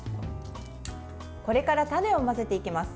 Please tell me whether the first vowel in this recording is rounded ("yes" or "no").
yes